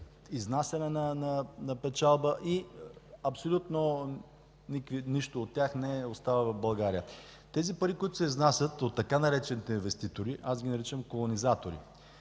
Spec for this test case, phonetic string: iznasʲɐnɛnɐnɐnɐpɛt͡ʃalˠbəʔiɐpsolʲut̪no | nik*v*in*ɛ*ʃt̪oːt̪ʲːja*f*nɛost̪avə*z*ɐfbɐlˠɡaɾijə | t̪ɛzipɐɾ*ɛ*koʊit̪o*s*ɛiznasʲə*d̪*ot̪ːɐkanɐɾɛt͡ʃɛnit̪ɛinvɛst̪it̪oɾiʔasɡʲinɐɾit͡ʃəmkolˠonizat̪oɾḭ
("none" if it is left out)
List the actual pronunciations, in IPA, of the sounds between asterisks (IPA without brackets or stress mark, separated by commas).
v, i, x, v, i, s, t̪